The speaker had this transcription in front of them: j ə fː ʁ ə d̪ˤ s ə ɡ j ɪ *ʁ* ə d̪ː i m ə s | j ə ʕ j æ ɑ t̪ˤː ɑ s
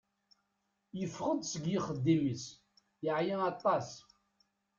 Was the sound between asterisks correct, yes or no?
no